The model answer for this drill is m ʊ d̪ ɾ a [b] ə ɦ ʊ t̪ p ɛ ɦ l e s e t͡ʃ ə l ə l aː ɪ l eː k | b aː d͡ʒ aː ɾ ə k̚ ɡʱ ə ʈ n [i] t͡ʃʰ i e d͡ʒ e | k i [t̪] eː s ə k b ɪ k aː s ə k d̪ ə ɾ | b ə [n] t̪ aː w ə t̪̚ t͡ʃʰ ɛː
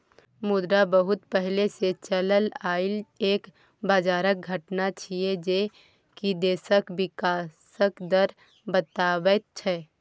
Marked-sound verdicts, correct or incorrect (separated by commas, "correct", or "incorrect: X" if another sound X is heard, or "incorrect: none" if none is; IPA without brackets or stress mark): correct, incorrect: a, incorrect: d̪, incorrect: none